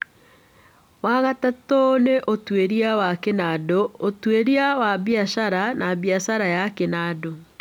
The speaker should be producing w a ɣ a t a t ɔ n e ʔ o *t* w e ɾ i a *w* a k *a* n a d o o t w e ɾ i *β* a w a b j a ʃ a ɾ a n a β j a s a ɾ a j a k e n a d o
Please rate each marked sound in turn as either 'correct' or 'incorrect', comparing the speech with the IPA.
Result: correct, correct, incorrect: e, incorrect: none

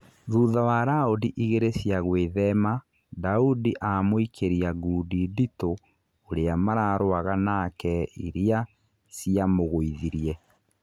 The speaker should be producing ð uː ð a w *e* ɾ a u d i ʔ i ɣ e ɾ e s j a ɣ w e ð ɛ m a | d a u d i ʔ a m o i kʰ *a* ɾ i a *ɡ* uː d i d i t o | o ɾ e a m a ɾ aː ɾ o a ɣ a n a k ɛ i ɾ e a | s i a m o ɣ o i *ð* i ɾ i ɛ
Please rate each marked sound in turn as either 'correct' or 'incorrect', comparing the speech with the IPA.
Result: incorrect: a, incorrect: e, correct, correct

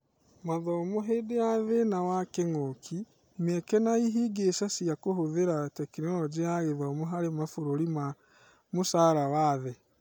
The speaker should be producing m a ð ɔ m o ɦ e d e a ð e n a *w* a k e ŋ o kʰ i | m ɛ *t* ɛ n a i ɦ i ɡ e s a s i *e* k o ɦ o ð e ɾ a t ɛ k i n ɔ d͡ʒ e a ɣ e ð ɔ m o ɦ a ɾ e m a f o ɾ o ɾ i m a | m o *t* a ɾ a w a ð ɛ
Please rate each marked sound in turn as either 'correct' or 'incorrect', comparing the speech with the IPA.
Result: correct, incorrect: k, incorrect: a, incorrect: s

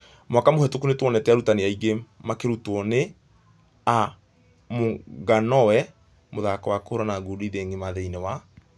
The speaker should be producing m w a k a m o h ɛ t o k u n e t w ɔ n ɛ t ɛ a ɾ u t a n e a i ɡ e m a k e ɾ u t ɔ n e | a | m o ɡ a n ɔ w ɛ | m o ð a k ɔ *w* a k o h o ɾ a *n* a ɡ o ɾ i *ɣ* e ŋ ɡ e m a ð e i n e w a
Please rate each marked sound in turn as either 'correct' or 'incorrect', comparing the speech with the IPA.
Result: correct, correct, incorrect: ð

